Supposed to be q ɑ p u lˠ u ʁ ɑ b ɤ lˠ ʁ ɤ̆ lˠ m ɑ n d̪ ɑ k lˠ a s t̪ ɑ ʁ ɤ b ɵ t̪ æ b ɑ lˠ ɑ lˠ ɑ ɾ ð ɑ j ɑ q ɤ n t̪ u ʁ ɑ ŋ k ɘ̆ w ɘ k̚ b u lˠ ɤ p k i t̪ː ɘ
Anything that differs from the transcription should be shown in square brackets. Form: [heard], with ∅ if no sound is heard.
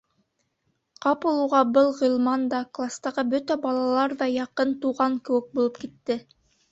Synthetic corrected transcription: q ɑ p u lˠ u ʁ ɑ b ɤ lˠ ʁ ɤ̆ lˠ m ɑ n d̪ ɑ k lˠ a s t̪ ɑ ʁ ɤ b ɵ t̪ æ b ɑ lˠ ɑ lˠ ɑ ɾ ð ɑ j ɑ q ɤ n t̪ u ʁ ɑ ŋ k ɘ̆ w ɘ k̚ b u lˠ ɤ p k i t̪ː ɘ